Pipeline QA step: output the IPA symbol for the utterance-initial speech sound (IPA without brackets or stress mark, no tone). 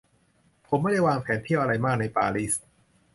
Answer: pʰ